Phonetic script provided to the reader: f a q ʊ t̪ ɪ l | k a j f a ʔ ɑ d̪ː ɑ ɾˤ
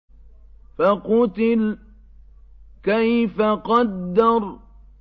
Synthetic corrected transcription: f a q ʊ t̪ ɪ l | k a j f a q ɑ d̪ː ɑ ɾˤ